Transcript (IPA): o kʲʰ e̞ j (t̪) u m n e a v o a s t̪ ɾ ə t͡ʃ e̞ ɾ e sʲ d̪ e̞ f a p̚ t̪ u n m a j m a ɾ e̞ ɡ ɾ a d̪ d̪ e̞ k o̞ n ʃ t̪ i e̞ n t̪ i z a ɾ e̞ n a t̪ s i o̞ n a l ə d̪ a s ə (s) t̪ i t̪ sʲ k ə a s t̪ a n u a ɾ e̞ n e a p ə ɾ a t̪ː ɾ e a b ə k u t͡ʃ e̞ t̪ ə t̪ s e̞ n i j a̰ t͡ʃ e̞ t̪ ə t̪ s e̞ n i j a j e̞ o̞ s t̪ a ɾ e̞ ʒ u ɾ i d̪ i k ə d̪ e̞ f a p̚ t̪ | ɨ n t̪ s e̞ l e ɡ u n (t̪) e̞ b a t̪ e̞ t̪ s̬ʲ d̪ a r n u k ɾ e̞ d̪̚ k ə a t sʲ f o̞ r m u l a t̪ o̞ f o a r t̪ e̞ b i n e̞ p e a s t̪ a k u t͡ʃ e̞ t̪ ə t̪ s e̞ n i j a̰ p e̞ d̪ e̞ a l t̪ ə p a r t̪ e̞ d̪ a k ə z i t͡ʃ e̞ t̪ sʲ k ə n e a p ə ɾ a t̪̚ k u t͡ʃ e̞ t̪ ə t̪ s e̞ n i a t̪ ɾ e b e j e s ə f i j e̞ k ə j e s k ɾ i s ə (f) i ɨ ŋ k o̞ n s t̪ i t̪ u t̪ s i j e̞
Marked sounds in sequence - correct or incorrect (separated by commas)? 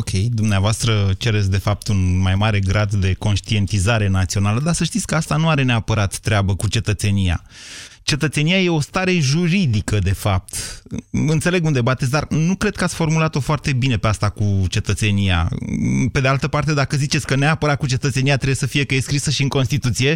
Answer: incorrect, incorrect, incorrect, incorrect